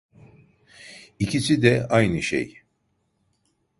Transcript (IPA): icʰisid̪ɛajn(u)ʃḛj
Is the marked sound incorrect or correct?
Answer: incorrect